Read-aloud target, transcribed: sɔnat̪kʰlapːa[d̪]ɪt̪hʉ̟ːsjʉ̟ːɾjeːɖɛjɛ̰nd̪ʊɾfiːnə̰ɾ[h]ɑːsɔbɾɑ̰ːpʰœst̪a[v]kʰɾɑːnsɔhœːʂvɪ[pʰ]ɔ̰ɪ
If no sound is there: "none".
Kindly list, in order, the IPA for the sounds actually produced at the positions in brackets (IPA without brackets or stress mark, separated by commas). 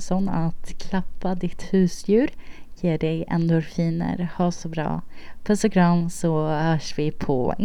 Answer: d̪, h, none, pʰ